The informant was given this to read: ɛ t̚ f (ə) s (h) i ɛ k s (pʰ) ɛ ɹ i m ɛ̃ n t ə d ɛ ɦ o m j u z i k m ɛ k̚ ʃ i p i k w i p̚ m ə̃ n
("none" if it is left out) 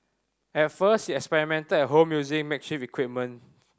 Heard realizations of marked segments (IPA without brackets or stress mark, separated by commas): ə, h, p